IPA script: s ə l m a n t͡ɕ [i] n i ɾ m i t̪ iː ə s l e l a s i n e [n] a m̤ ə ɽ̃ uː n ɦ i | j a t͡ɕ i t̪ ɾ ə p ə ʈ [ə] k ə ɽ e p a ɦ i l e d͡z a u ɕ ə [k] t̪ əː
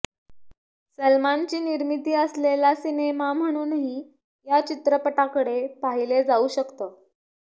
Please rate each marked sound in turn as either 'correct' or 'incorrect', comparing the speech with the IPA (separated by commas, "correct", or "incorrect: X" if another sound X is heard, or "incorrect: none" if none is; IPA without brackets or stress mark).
incorrect: iː, incorrect: m, incorrect: a, correct